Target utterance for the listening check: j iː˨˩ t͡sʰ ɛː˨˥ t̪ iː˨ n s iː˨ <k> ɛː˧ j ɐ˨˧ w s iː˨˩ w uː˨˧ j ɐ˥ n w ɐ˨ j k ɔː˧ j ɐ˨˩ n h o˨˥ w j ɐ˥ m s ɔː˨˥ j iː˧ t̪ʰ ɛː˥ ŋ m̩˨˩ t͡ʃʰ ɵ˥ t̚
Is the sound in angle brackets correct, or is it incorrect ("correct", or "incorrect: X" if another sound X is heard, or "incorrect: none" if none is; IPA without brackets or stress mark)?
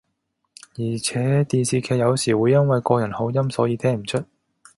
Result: incorrect: kʰ